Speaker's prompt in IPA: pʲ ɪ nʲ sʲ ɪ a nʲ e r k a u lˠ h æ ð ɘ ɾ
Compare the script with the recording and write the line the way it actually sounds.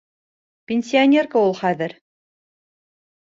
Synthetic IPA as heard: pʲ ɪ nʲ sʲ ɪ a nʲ e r k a u lˠ χ æ ð ɘ ɾ